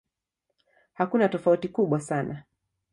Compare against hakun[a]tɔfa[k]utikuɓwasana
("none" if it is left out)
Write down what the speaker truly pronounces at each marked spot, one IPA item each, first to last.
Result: a, none

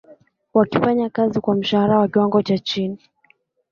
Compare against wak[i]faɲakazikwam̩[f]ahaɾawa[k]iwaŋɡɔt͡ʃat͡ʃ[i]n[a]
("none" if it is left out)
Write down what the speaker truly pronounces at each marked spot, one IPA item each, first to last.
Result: i, ʃ, k, i, i

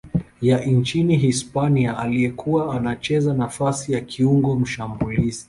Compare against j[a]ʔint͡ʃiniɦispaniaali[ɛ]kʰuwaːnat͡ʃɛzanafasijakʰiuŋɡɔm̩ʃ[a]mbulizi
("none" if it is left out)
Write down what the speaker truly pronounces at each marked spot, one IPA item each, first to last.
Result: a, ɛ, a

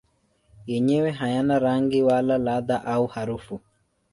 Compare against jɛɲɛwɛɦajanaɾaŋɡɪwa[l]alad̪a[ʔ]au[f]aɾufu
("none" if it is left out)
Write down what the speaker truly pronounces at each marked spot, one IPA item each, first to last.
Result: l, ʔ, h

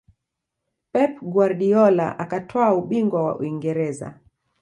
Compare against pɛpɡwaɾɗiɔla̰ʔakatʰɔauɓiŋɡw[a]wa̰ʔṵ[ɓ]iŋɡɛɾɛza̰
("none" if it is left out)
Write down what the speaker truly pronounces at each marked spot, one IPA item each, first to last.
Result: a, none

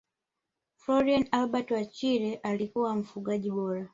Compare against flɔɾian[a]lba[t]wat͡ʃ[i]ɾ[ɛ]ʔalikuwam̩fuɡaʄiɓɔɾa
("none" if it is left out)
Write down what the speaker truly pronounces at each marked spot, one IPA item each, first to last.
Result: a, t, i, ɛ

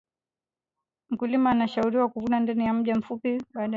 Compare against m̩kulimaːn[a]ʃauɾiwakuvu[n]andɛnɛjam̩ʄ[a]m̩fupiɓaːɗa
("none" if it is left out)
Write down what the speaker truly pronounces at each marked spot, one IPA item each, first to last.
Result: a, n, a

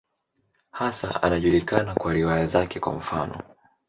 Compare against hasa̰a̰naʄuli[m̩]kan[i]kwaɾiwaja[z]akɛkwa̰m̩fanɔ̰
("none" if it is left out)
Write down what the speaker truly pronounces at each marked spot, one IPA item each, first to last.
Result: none, a, z

